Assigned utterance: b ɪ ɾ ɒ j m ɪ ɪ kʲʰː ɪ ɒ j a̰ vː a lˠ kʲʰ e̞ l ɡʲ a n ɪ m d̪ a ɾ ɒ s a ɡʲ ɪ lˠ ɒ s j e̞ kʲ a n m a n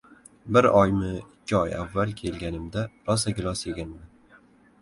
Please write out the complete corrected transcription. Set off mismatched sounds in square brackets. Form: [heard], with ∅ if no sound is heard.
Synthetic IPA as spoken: b ɪ ɾ ɒ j m ɪ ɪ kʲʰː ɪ ɒ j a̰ vː a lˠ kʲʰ e̞ l ɡʲ a n ɪ m d̪ a ɾ ɒ s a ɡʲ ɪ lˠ ɒ s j e̞ [ɡʲ] a n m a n